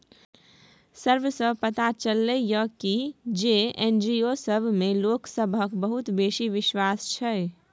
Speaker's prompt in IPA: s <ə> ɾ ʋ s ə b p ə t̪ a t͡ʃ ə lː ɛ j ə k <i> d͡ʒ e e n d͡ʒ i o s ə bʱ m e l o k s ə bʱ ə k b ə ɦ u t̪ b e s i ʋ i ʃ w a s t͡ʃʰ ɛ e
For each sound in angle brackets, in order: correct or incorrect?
correct, correct

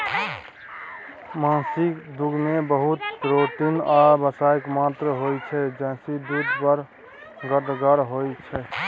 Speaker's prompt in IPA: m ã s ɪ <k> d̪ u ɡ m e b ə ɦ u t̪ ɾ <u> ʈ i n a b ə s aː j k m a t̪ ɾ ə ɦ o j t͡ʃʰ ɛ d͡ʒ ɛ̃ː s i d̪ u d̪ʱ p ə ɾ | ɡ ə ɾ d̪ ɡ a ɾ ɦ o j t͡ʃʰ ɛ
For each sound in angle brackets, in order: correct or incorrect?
correct, incorrect: o

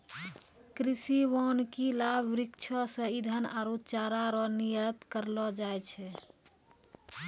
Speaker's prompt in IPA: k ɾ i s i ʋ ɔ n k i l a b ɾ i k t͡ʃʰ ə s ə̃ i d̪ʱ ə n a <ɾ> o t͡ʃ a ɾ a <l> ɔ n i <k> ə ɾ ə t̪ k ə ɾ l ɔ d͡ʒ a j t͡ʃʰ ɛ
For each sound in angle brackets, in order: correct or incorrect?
correct, incorrect: ɾ, incorrect: none

